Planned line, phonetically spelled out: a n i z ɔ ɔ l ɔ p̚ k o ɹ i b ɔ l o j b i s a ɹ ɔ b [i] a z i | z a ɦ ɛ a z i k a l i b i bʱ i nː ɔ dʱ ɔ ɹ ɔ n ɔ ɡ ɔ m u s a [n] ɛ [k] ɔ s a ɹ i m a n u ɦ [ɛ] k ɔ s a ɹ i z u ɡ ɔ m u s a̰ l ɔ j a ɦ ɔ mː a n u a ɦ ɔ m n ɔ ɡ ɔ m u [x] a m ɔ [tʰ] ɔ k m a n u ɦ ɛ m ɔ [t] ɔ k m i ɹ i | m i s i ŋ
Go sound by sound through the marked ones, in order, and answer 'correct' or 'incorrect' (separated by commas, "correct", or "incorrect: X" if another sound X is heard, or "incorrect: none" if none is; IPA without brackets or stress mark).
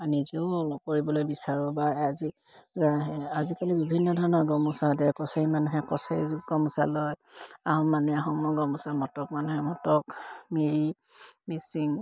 incorrect: a, incorrect: d, correct, correct, incorrect: s, incorrect: t, correct